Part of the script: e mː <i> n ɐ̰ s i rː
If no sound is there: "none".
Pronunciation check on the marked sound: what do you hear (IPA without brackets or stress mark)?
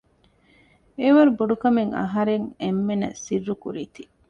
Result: e